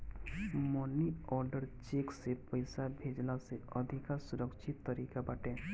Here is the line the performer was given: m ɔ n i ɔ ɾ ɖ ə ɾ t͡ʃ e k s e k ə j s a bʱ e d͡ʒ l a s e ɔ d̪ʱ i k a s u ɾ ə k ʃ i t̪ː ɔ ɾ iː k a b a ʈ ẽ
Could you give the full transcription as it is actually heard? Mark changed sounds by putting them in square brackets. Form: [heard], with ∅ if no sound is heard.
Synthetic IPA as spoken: m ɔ n i ɔ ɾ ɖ ə ɾ t͡ʃ e k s e [p] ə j s a bʱ e d͡ʒ l a s e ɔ d̪ʱ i k a s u ɾ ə k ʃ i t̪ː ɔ ɾ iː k a b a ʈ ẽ

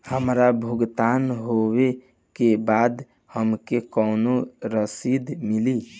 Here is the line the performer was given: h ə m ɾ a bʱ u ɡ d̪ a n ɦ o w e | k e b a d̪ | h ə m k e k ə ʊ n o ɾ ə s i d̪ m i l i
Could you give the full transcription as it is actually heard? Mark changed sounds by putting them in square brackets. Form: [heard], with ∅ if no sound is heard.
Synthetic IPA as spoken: h ə m ɾ a bʱ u ɡ [t̪] a n ɦ o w e | k e b a d̪ | h ə m k e k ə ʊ n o ɾ ə s i d̪ m i l i

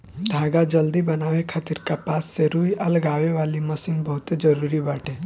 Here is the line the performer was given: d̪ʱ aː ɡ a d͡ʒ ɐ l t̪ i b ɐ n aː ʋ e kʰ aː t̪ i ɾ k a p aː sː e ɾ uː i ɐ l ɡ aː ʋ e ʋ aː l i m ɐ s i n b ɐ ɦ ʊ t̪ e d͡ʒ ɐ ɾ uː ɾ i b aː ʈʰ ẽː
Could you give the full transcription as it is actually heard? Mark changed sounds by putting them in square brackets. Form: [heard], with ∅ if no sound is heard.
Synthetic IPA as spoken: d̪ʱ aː ɡ a d͡ʒ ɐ l [d̪] i b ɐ n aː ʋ e kʰ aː t̪ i ɾ k a p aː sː e ɾ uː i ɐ l ɡ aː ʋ e ʋ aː l i m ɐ s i n b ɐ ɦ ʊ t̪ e d͡ʒ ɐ ɾ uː ɾ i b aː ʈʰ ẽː

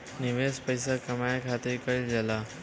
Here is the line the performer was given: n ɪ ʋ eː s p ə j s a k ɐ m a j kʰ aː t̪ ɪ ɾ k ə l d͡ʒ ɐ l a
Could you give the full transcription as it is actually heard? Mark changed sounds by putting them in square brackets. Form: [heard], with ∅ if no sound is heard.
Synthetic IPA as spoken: n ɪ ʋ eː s p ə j s a k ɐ m a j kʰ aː t̪ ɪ ɾ k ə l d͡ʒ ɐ l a

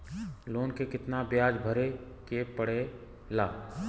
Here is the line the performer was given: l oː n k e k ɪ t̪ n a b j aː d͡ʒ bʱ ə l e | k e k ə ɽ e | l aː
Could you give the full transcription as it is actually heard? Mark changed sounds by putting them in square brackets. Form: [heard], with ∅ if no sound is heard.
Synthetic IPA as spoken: l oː n k e k ɪ t̪ n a b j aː d͡ʒ bʱ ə [ɾ] e | k e [p] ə ɽ e | l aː

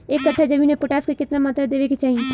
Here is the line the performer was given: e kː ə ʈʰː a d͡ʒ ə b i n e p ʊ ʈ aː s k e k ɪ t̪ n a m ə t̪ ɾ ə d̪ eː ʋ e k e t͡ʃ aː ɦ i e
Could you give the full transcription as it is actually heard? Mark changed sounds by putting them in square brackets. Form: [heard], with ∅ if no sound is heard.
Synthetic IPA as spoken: e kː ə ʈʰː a d͡ʒ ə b i n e p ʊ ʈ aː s k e k ɪ t̪ n a m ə t̪ ɾ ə d̪ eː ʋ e k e t͡ʃ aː ɦ i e

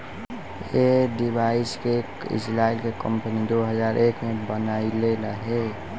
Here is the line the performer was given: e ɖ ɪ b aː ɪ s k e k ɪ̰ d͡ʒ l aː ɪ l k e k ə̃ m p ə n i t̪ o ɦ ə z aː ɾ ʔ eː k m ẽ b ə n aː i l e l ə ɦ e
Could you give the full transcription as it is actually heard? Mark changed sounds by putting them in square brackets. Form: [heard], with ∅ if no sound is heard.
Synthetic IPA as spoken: e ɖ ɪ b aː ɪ s k e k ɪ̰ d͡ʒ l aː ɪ l k e k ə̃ m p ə n i [d̪] o ɦ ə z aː ɾ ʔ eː k m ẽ b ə n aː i l e l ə ɦ e

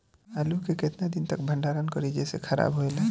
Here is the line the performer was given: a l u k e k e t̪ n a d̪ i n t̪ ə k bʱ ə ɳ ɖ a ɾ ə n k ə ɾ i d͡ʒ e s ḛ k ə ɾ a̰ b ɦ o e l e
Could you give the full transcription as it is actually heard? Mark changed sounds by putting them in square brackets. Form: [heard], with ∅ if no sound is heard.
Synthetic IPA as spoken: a l u k e k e t̪ n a d̪ i n t̪ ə k bʱ ə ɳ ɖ a ɾ ə n k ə ɾ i d͡ʒ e s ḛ [kʰ] ə ɾ a̰ b ɦ o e l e

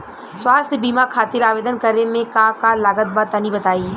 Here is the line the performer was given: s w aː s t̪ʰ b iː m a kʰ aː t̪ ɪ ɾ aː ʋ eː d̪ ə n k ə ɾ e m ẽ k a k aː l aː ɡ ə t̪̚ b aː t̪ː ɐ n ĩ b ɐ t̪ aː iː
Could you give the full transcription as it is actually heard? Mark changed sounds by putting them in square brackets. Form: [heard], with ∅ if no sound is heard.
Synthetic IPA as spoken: s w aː s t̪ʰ b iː m a kʰ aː t̪ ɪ ɾ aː ʋ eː d̪ ə n k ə ɾ e m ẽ k a k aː l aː ɡ ə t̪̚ b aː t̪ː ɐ n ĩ b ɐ t̪ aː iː

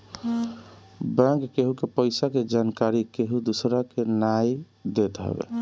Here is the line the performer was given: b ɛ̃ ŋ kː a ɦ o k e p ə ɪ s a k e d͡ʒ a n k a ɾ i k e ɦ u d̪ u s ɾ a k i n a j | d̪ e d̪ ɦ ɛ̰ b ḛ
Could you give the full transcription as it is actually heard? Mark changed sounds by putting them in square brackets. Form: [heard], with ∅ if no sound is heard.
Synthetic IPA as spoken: b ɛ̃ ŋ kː [e] ɦ [u] k e p ə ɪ s a k e d͡ʒ a n k a ɾ i k e ɦ u d̪ u s ɾ a k [e] n a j | d̪ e [t̪] ɦ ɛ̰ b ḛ

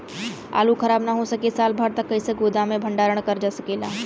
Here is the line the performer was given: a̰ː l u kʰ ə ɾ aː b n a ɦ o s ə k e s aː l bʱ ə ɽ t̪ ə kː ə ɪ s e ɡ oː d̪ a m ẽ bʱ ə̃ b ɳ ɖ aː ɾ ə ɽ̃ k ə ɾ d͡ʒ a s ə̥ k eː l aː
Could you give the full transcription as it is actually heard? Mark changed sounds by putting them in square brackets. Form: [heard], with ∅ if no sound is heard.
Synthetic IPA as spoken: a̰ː l u kʰ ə ɾ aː b n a ɦ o s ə k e s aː l bʱ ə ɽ t̪ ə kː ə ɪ s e ɡ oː d̪ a m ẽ bʱ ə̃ [∅] ɳ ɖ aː ɾ ə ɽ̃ k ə ɾ d͡ʒ a s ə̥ k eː l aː

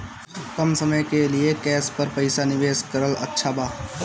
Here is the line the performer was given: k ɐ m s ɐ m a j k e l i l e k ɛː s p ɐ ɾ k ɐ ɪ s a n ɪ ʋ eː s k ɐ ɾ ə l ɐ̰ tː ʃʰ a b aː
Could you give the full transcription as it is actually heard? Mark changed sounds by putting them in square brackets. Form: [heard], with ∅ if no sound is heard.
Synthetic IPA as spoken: k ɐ m s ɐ m [ə] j k e l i [∅] e k ɛː s p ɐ ɾ [p] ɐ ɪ s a n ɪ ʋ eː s k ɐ ɾ ə l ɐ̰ tː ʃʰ a b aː

